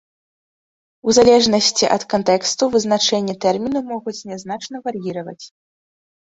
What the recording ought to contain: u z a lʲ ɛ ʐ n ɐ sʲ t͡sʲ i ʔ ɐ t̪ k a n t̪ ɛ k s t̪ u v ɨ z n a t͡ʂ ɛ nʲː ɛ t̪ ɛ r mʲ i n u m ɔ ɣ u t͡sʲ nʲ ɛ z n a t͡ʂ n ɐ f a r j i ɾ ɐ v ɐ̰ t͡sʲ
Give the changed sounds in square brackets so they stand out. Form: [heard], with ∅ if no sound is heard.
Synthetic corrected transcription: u z a lʲ ɛ ʐ n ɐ sʲ t͡sʲ i ʔ ɐ t̪ k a n t̪ ɛ k s t̪ u v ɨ z n a t͡ʂ ɛ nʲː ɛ t̪ ɛ r mʲ i n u m ɔ ɣ u t͡sʲ nʲ ɛ z n a t͡ʂ n ɐ [v] a r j i ɾ ɐ v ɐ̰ t͡sʲ